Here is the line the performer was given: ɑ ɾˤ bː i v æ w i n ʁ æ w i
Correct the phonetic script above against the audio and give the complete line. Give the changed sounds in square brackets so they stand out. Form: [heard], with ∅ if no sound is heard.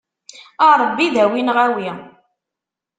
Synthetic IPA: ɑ ɾˤ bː i [ð] æ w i n ʁ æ w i